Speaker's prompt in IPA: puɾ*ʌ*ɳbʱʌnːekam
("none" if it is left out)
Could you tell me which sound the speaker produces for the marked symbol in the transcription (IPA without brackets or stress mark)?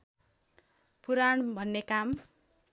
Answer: a